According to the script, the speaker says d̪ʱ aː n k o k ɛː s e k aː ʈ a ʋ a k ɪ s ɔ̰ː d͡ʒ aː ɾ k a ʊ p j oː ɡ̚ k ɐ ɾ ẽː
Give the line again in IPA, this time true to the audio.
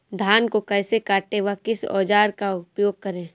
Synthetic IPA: d̪ʱ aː n k o k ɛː s e k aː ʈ e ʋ a k ɪ s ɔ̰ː d͡ʒ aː ɾ k a ʊ p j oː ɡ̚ k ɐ ɾ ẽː